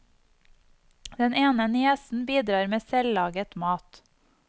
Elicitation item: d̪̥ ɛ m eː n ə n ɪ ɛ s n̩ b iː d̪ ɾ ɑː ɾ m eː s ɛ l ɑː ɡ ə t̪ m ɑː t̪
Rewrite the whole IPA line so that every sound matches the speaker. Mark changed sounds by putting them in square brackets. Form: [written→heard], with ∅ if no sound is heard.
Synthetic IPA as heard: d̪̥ ɛ [m→n] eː n ə n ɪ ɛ s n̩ b iː d̪ ɾ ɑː ɾ m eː s ɛ l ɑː ɡ ə t̪ m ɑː t̪